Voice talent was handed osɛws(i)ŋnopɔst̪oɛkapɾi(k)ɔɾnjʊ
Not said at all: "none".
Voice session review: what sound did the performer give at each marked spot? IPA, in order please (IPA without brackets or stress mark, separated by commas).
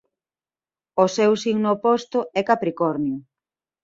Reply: i, k